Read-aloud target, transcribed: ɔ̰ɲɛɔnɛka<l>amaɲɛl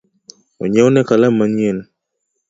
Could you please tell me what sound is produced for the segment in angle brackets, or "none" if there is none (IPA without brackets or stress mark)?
l